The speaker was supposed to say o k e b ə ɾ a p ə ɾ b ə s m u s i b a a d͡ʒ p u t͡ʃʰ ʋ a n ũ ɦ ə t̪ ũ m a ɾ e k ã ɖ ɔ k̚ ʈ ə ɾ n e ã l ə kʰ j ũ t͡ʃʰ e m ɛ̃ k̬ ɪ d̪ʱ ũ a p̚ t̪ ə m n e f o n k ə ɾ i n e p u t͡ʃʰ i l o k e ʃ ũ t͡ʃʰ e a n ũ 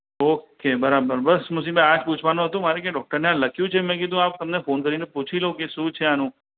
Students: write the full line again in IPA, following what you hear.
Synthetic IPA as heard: o k e b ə ɾ a b ə ɾ b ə s m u s i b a a d͡ʒ p u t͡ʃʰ ʋ a n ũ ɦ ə t̪ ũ m a ɾ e k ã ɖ ɔ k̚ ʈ ə ɾ n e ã l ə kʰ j ũ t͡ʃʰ e m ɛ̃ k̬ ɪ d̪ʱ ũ a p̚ t̪ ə m n e f o n k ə ɾ i n e p u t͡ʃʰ i l o k e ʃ ũ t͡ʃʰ e a n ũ